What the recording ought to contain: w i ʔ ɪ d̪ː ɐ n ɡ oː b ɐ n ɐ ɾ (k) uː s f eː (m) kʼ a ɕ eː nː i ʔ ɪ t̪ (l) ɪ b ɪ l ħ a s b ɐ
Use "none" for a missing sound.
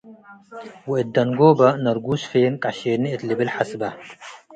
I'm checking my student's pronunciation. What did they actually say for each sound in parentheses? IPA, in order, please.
ɡ, n, l

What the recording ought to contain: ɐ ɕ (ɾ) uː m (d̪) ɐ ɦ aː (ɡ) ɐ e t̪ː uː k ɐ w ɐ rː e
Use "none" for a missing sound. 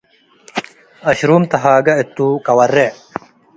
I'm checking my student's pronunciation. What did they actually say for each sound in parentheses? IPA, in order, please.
ɾ, t̪, ɡ

